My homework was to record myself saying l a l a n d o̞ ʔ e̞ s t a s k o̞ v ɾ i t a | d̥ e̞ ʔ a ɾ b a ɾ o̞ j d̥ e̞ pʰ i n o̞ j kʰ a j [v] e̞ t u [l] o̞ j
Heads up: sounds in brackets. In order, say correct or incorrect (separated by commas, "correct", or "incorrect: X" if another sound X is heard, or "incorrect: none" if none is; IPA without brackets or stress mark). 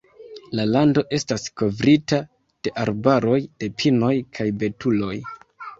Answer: incorrect: b, correct